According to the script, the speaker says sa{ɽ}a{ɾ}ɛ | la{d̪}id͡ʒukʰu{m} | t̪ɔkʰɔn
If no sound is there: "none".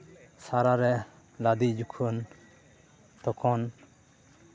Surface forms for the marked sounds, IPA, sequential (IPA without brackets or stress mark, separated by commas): ɾ, ɾ, d̪, n